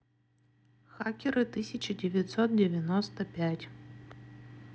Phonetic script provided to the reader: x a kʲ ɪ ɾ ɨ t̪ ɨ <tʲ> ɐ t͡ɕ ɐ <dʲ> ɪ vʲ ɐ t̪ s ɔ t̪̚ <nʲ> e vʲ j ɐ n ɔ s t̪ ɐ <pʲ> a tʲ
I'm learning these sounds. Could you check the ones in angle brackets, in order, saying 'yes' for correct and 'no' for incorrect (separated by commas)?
no, yes, no, yes